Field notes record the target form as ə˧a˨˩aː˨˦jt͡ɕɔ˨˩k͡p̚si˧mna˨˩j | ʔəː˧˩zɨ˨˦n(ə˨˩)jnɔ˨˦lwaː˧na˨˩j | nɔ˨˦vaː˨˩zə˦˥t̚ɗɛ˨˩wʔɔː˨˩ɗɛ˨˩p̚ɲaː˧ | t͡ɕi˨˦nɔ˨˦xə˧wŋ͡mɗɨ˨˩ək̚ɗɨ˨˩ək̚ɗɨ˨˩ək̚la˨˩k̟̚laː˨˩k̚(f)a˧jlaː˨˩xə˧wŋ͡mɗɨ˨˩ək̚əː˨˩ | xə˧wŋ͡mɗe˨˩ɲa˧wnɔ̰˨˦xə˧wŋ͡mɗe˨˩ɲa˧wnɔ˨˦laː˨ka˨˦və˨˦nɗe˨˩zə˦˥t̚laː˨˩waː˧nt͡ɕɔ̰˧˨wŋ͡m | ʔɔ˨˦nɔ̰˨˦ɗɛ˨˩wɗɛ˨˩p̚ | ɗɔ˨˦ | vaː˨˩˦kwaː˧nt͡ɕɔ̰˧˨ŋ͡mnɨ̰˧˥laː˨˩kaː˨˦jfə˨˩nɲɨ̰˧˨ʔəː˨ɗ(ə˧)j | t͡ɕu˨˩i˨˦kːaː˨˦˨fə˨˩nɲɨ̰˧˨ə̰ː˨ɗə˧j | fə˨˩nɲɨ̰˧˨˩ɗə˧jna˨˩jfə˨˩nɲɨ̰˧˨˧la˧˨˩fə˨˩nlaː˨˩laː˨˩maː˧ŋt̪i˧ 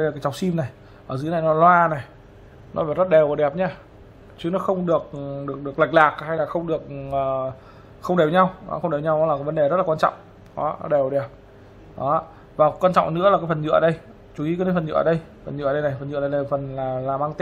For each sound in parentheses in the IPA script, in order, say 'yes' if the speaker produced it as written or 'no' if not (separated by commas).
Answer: no, no, yes